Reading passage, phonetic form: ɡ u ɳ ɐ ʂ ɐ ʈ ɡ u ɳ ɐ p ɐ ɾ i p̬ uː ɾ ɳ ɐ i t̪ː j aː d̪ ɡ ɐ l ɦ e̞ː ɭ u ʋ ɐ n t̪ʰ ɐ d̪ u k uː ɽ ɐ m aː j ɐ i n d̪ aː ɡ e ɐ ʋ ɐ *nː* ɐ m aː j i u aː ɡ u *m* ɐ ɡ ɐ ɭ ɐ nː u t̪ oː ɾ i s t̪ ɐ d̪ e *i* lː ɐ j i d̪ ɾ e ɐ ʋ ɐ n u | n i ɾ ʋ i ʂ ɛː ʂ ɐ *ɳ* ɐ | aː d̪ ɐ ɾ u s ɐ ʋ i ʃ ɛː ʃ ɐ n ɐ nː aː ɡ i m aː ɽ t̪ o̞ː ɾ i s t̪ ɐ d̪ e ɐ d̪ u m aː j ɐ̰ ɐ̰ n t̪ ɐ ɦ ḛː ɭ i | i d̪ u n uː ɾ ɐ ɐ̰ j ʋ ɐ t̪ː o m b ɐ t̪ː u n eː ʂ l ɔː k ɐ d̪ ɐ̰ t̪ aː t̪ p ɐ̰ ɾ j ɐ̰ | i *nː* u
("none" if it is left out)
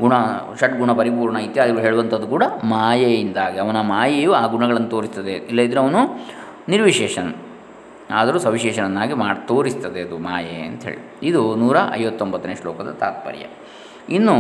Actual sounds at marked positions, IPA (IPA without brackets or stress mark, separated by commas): n, ɳ, i, n, nː